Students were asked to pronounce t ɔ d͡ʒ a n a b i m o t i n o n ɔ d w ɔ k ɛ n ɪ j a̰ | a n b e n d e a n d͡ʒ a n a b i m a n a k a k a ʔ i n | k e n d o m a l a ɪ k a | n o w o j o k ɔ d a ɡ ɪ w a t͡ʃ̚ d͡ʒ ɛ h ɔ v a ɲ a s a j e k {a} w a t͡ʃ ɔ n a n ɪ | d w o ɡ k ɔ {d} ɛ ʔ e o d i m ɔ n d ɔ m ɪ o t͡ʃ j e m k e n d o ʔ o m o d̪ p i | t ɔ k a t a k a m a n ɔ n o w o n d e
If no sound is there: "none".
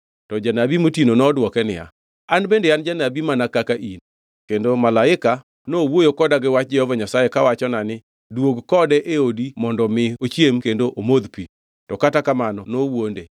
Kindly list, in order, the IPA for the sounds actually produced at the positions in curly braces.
a, d

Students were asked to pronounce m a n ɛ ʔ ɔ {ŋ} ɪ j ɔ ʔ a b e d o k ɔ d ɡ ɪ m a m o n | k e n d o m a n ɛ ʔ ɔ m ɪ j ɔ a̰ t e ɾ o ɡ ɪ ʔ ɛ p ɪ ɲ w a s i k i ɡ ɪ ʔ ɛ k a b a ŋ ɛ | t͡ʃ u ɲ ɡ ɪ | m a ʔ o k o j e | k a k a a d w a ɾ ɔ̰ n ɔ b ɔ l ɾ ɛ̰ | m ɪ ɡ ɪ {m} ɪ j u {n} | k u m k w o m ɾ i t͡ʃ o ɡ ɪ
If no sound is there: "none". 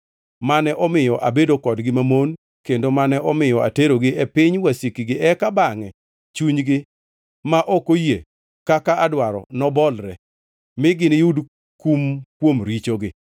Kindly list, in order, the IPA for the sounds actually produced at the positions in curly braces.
m, n, d

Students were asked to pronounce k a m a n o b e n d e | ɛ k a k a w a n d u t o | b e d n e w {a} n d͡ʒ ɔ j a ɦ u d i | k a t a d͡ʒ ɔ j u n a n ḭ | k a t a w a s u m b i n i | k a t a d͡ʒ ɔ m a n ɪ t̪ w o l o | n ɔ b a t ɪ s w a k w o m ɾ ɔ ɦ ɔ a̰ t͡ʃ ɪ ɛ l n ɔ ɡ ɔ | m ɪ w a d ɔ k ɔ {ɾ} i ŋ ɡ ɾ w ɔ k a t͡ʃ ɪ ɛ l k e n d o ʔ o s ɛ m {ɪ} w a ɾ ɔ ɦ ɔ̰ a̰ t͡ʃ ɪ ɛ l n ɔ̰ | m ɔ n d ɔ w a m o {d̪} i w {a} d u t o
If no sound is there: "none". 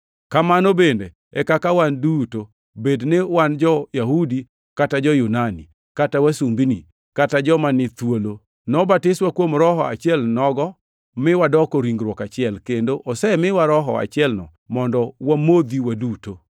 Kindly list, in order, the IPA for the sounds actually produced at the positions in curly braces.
a, ɾ, ɪ, d̪, a

